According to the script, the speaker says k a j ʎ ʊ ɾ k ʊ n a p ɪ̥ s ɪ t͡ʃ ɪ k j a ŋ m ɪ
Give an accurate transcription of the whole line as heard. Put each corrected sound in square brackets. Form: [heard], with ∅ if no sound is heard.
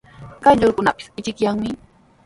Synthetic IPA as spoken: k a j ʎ ʊ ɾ k ʊ n a p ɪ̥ s ɪ t͡ʃ ɪ k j a ŋ m ɪ